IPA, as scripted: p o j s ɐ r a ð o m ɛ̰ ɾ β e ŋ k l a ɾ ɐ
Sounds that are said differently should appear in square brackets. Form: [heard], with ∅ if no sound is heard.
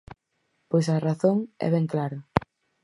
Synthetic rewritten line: p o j s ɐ r a [θ] o [ŋ] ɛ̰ [∅] β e ŋ k l a ɾ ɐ